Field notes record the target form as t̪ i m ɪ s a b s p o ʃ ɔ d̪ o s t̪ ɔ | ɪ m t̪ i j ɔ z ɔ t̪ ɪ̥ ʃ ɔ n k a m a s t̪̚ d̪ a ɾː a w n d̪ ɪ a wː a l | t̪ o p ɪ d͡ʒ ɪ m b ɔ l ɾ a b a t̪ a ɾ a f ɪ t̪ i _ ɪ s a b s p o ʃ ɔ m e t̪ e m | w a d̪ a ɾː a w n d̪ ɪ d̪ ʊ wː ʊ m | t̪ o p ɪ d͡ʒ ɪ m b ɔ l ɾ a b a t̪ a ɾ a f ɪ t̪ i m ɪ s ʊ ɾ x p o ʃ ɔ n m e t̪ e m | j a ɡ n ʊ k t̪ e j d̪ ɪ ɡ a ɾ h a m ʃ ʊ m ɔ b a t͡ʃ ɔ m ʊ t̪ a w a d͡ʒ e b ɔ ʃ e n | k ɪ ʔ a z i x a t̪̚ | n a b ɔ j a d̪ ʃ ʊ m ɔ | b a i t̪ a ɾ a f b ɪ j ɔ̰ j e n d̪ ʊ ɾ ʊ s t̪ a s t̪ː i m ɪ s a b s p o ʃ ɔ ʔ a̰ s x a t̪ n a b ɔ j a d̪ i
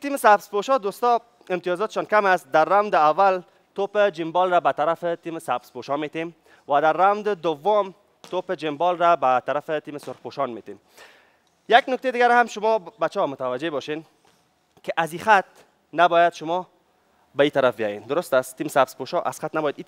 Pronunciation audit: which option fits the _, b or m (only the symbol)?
m